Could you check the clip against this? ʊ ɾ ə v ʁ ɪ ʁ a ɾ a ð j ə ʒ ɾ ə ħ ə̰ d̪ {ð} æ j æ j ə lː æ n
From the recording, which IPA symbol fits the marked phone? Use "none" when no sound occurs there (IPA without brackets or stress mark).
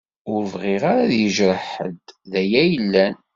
ð